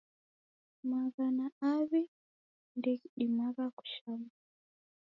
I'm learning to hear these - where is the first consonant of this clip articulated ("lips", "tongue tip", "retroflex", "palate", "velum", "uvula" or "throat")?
lips